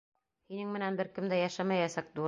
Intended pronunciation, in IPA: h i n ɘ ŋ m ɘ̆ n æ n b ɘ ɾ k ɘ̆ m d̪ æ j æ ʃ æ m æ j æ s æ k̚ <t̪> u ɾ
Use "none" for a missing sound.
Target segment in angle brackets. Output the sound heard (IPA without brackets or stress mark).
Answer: d̪